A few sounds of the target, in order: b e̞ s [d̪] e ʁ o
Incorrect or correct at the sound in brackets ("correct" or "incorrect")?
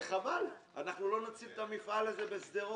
correct